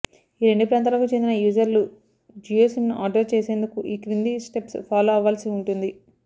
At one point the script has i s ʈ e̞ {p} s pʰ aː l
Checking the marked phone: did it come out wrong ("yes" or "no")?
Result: no